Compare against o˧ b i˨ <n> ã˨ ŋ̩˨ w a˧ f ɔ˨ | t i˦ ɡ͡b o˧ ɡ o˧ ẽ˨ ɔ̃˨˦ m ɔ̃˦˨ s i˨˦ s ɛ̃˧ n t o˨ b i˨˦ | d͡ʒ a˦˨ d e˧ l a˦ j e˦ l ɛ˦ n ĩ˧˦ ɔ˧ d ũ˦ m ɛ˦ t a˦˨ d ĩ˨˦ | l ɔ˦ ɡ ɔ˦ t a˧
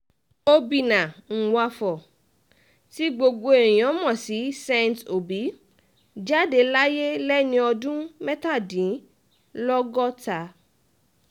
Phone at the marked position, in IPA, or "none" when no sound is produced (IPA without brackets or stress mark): n